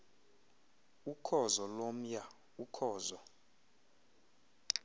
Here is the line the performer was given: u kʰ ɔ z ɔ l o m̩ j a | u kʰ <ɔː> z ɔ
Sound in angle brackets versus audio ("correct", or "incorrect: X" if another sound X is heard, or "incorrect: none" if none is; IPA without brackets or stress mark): correct